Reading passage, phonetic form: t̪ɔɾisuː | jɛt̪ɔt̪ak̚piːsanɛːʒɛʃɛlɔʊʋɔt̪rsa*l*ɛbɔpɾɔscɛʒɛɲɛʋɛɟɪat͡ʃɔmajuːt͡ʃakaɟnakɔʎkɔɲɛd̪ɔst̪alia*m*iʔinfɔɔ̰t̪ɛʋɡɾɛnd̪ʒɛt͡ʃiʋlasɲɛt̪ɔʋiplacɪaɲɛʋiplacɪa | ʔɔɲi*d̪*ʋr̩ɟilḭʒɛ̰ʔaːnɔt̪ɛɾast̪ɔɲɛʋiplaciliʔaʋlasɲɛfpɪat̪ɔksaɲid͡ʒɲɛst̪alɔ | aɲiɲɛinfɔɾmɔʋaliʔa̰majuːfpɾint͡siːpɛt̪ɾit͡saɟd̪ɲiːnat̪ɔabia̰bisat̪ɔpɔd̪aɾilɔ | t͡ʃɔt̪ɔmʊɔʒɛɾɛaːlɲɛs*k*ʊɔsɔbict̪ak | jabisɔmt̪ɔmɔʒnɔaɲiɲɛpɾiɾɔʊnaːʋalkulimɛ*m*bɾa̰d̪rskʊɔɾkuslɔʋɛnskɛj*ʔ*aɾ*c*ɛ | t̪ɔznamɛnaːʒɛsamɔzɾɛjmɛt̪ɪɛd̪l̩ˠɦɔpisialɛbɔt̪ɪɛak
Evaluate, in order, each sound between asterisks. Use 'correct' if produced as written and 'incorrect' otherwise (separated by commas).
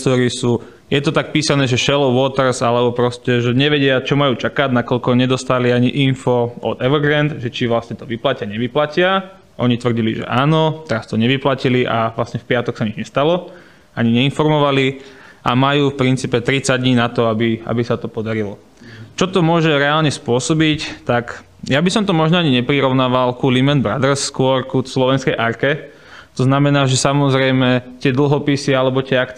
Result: correct, incorrect, incorrect, incorrect, incorrect, correct, incorrect